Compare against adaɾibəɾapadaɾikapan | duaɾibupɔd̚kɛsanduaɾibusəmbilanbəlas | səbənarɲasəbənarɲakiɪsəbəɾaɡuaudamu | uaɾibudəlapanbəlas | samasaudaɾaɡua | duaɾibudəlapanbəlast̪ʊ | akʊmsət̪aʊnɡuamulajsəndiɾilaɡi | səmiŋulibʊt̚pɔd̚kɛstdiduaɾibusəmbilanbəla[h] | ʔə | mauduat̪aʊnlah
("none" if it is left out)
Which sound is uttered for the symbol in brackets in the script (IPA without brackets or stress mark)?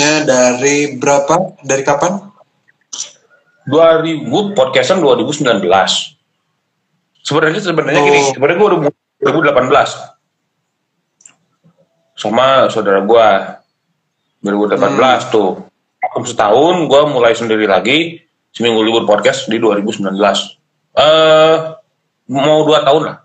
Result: s